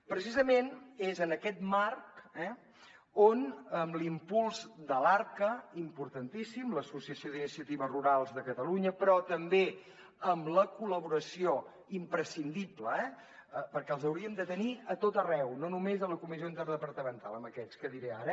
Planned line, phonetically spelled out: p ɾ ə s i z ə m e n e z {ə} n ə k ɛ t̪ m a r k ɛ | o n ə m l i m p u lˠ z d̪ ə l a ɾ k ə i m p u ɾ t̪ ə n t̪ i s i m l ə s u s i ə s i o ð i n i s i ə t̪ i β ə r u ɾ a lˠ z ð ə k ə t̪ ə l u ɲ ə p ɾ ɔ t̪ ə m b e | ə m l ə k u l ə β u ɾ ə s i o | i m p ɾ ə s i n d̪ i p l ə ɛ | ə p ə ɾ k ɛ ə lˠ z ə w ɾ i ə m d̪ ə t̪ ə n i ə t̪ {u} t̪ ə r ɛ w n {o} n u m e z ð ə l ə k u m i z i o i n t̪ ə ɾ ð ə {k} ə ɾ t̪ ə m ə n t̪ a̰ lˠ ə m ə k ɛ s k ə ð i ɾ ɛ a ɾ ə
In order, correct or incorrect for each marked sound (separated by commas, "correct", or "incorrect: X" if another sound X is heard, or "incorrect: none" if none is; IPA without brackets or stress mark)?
correct, incorrect: o, correct, incorrect: p